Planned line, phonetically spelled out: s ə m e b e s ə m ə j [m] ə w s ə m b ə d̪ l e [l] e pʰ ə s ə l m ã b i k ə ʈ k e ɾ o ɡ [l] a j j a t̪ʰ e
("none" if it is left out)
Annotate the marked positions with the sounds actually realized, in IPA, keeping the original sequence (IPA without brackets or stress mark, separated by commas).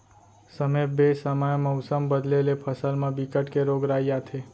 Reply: m, l, ɾ